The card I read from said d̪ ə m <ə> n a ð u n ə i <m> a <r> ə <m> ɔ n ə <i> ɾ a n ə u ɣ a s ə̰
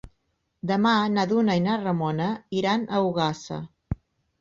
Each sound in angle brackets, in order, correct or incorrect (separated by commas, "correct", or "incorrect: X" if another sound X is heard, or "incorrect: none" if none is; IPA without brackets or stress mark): incorrect: a, incorrect: n, correct, correct, correct